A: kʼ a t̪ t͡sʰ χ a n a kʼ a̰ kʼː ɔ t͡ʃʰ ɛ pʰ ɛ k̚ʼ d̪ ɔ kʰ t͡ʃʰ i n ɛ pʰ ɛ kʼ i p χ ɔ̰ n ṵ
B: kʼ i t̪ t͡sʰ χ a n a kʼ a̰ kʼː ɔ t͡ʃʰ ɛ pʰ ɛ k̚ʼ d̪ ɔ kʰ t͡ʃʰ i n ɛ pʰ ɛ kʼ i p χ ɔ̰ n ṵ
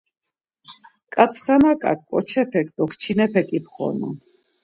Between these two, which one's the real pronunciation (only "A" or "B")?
A